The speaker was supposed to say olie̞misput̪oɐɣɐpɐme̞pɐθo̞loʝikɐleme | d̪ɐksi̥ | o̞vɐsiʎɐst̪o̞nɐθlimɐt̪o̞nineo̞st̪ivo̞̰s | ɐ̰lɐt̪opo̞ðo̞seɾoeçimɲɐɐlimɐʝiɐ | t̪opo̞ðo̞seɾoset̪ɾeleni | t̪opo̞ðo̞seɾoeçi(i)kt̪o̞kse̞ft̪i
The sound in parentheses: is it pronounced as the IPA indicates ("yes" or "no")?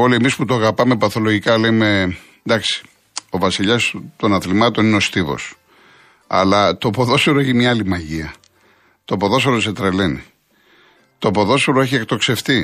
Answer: no